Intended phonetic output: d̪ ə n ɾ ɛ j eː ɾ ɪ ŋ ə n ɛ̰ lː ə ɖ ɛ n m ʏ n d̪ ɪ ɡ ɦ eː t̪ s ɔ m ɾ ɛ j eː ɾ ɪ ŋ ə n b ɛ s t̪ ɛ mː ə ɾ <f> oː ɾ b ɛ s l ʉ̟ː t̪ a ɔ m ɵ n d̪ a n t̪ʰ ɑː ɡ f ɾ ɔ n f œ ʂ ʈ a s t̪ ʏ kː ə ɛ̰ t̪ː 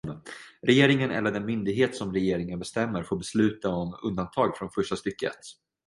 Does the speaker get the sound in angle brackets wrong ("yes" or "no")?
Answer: no